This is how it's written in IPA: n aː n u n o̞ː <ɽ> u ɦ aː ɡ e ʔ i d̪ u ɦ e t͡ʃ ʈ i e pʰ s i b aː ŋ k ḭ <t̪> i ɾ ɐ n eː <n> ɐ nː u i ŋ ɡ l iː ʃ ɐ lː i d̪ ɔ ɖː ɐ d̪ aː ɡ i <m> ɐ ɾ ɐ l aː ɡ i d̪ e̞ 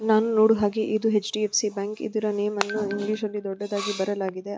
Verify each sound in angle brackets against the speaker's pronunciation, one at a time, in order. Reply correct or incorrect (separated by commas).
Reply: correct, incorrect, incorrect, incorrect